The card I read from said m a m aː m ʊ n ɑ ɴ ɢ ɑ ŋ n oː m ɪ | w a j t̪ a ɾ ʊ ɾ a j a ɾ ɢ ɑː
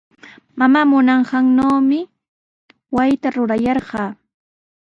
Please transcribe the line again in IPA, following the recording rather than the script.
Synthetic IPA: m a m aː m ʊ n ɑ ɴ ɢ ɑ ŋ n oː m ɪ | w a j t̪ a ɾ ʊ ɾ a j ɑ ɾ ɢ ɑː